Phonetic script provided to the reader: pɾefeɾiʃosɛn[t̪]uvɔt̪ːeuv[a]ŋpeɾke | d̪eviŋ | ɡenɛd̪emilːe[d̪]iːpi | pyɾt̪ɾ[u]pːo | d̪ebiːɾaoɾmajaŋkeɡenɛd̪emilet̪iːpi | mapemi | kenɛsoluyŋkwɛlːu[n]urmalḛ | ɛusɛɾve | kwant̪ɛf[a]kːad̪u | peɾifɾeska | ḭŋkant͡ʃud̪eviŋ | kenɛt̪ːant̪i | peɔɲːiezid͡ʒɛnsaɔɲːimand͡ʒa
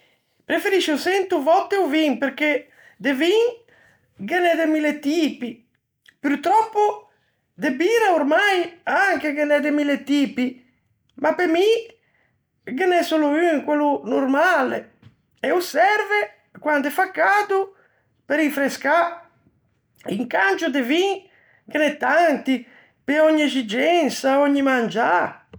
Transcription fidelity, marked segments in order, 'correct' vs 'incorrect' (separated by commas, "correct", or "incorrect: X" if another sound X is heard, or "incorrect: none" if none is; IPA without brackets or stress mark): correct, incorrect: i, incorrect: t̪, incorrect: ɔ, correct, correct